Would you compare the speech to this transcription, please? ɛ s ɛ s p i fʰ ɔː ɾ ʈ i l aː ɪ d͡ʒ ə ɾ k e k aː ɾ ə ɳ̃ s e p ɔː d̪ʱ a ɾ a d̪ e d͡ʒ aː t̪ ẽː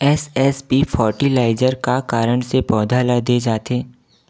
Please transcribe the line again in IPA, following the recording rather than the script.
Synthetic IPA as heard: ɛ s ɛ s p i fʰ ɔː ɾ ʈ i l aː ɪ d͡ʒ ə ɾ k a k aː ɾ ə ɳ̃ s e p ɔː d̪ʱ a l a d̪ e d͡ʒ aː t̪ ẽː